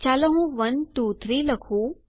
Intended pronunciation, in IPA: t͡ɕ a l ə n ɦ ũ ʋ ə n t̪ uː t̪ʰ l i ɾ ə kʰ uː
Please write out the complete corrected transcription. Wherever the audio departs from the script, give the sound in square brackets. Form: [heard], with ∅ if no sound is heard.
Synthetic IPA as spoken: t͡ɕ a l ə [∅] ɦ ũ ʋ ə n t̪ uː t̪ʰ [ɾ] i [l] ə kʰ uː